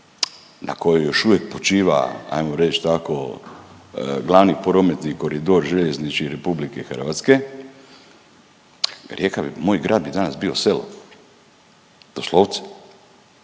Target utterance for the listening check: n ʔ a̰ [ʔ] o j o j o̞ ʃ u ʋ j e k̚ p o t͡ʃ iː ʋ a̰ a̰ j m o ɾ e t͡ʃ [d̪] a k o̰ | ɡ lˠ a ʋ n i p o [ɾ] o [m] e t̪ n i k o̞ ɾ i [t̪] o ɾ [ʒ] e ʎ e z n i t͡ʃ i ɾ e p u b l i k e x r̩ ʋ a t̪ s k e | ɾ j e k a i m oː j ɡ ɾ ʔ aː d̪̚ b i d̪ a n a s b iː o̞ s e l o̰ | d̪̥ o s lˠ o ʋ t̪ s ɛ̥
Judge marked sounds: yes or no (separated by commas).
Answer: no, no, yes, yes, no, yes